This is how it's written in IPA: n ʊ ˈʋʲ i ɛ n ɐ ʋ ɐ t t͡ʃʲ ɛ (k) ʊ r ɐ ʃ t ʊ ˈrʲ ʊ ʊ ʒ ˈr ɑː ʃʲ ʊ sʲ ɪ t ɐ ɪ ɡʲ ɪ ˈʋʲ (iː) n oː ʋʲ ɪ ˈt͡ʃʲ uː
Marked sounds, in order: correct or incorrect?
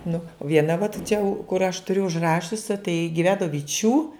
correct, incorrect: æː

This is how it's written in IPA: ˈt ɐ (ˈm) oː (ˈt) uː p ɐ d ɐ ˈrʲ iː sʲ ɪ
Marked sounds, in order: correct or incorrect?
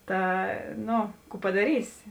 incorrect: n, incorrect: k

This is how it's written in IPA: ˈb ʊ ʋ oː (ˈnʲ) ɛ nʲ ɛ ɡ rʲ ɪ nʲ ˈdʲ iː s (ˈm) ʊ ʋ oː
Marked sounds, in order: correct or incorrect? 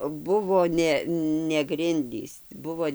correct, incorrect: b

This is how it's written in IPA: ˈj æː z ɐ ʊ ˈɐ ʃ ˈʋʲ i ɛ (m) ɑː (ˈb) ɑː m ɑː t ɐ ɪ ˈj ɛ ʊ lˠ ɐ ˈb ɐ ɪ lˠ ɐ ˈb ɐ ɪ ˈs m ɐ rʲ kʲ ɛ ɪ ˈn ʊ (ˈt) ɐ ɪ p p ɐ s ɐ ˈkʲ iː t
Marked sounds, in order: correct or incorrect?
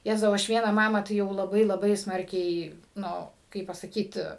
incorrect: n, incorrect: m, incorrect: k

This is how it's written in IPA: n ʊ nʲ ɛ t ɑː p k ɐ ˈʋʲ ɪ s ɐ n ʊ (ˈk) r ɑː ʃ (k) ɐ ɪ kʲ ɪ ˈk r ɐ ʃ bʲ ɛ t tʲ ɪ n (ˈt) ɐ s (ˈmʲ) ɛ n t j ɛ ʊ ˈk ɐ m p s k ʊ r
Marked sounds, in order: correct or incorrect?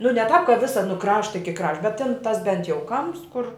correct, incorrect: t, correct, incorrect: bʲ

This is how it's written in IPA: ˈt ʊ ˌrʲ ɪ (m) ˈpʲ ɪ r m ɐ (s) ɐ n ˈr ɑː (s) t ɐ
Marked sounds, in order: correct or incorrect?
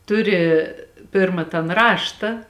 incorrect: none, incorrect: t, incorrect: ʃ

